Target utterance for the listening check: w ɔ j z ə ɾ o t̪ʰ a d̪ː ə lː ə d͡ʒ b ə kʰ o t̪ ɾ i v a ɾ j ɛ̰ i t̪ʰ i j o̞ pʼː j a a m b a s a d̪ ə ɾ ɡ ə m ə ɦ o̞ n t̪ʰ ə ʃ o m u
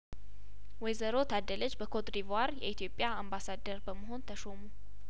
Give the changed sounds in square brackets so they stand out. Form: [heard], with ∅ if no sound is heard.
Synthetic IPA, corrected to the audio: w ɔ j z ə ɾ o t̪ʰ a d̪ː ə [l] ə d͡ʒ b ə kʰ o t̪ ɾ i v a ɾ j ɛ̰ i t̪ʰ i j o̞ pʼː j a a m b a s a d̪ ə ɾ [b] ə m ə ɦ o̞ n t̪ʰ ə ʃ o m u